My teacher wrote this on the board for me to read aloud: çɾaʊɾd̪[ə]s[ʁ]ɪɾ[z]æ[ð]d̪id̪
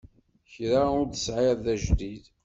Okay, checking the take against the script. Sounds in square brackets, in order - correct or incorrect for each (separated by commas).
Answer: correct, incorrect, incorrect, incorrect